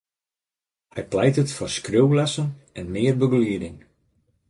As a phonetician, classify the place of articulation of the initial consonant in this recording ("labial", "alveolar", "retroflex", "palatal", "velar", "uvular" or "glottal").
glottal